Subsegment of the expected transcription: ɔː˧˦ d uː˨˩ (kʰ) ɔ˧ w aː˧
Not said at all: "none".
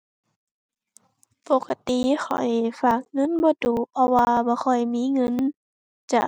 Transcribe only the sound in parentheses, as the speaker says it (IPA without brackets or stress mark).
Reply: pʰ